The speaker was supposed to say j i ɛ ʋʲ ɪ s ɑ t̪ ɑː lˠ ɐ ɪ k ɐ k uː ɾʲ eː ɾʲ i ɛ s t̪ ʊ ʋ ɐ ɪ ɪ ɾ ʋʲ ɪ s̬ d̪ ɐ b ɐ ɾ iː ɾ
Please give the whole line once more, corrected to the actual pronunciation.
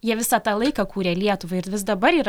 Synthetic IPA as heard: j i ɛ ʋʲ ɪ s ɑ t̪ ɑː lˠ ɐ ɪ k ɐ k uː ɾʲ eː lʲ i ɛ t̪ ʊ ʋ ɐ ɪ ɪ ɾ ʋʲ ɪ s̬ d̪ ɐ b ɐ ɾ iː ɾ

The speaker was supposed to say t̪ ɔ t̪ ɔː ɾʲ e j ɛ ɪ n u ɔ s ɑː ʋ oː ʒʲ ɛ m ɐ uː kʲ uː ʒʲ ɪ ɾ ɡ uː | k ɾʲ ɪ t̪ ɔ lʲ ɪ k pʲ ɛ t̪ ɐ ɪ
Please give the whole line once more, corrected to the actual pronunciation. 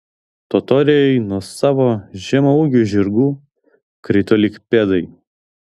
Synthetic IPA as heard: t̪ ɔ t̪ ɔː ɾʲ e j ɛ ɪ n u ɔ s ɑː ʋ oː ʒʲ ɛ m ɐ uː ɡʲ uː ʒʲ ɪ ɾ ɡ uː | k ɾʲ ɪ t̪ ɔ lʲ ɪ k pʲ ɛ d̪ ɐ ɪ

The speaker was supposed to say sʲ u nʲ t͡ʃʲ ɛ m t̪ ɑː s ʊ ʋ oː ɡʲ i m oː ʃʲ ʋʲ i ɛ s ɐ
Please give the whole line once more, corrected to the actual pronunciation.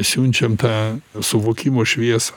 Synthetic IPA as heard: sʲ u nʲ t͡ʃʲ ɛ m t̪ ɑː s ʊ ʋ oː kʲ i m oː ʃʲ ʋʲ i ɛ s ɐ

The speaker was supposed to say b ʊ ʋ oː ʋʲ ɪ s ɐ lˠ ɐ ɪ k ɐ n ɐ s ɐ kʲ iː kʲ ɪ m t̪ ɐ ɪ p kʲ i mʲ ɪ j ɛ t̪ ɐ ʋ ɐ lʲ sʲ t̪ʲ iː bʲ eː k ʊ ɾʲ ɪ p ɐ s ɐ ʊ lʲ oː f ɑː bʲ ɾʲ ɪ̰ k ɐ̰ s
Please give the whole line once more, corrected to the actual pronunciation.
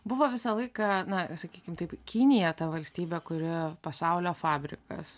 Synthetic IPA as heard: b ʊ ʋ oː ʋʲ ɪ s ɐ lˠ ɐ ɪ k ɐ n ɐ s ɐ kʲ iː kʲ ɪ m t̪ ɐ ɪ p kʲ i nʲ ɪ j ɛ t̪ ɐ ʋ ɐ lʲ sʲ t̪ʲ iː bʲ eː k ʊ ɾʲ ɪ p ɐ s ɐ ʊ lʲ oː f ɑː bʲ ɾʲ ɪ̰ k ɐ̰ s

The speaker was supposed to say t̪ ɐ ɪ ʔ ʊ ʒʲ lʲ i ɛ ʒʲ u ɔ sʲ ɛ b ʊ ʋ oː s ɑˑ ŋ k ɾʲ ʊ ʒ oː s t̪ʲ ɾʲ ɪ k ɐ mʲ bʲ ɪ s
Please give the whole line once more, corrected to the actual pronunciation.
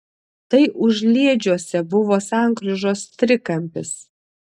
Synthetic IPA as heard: t̪ ɐ ɪ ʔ ʊ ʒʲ lʲ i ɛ d͡ʒʲ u ɔ sʲ ɛ b ʊ ʋ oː s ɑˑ ŋ k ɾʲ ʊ ʒ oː s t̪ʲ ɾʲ ɪ k ɐ mʲ pʲ ɪ s

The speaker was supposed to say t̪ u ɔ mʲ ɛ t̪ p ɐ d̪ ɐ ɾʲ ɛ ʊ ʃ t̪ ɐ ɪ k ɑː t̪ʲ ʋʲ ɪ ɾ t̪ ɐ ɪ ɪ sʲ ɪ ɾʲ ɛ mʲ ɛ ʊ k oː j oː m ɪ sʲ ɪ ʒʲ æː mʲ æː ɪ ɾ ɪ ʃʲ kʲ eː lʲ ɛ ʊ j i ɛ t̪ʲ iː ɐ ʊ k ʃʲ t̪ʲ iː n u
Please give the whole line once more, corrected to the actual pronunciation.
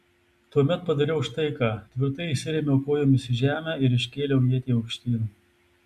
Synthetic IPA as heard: t̪ u ɔ mʲ ɛ t̪ p ɐ d̪ ɐ ɾʲ ɛ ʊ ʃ t̪ ɐ ɪ k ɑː t̪ʲ ʋʲ ɪ ɾ t̪ ɐ ɪ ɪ sʲ ɪ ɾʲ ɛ mʲ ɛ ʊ k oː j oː m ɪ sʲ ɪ ʒʲ æː mʲ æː ɪ ɾ ɪ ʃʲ kʲ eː lʲ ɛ ʊ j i ɛ t̪ʲ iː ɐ ʊ k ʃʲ t̪ʲ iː n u

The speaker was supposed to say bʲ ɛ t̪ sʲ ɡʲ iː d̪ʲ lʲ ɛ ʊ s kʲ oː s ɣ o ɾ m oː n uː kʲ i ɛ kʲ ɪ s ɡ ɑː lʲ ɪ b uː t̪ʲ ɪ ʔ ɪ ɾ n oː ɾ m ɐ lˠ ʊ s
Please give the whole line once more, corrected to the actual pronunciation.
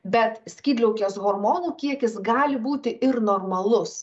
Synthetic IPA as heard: bʲ ɛ t̪ sʲ kʲ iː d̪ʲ lʲ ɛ ʊ kʲ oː s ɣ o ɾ m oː n uː kʲ i ɛ kʲ ɪ s ɡ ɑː lʲ ɪ b uː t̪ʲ ɪ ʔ ɪ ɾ n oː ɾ m ɐ lˠ ʊ s

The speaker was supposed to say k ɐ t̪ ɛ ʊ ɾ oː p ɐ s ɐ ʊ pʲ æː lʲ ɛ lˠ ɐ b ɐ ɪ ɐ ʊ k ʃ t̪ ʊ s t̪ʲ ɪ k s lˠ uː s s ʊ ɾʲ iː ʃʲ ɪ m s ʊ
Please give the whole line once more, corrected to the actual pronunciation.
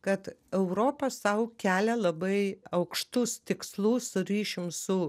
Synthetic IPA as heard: k ɐ t̪ ɛ ʊ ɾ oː p ɐ s ɐ ʊ kʲ æː lʲ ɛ lˠ ɐ b ɐ ɪ ɐ ʊ k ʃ t̪ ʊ s t̪ʲ ɪ k s lˠ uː s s ʊ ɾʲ iː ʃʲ ɪ m s ʊ

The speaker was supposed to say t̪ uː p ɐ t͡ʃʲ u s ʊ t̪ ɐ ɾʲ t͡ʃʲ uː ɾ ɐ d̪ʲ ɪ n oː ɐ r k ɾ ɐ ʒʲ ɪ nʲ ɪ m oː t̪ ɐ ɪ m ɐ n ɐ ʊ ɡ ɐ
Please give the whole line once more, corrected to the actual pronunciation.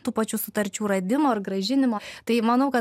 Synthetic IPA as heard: t̪ uː p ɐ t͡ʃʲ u s ʊ t̪ ɐ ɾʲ t͡ʃʲ uː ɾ ɐ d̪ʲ ɪ m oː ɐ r ɡ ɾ ɐ ʒʲ ɪ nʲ ɪ m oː t̪ ɐ ɪ m ɐ n ɐ ʊ k ɐ

